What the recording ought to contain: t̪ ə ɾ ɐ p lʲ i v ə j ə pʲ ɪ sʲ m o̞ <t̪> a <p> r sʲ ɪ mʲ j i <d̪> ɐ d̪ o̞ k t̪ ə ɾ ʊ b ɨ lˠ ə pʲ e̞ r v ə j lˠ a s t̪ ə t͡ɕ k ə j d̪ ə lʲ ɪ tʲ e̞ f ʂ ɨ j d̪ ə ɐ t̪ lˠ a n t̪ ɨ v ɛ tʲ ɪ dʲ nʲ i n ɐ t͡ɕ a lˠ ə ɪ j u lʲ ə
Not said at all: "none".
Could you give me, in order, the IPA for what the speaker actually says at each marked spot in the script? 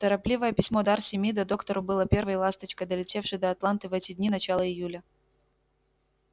d̪, none, d̪

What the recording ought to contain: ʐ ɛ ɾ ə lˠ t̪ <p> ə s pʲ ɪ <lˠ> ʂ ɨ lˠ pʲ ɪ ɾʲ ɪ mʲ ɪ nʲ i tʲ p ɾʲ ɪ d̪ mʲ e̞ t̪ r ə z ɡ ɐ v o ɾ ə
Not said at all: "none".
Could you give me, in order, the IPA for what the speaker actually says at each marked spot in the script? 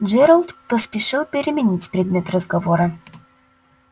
p, none

